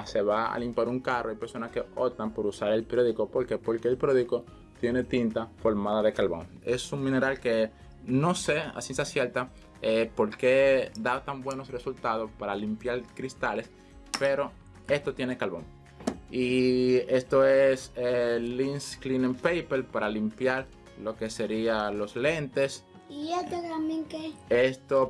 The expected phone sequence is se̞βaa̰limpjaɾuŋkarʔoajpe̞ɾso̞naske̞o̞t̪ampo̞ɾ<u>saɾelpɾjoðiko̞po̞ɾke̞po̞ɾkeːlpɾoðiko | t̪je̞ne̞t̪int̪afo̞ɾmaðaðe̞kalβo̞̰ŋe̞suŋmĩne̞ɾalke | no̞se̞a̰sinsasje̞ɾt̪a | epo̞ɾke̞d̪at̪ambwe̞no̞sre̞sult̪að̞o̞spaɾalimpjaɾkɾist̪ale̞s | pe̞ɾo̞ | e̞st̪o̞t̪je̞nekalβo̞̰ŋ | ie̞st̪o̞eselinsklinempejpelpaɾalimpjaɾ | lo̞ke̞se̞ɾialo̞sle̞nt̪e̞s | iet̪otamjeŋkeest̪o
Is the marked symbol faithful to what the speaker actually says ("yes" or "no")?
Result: yes